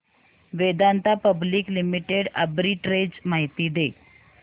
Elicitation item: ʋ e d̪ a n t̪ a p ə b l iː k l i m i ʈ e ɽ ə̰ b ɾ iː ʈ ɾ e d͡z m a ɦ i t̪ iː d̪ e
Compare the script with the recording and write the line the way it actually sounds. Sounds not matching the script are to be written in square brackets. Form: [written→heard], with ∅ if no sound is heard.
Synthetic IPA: ʋ e d̪ a n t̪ a p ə b l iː k l i m i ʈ e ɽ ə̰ b ɾ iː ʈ ɾ e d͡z m a ɦ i t̪ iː d̪ e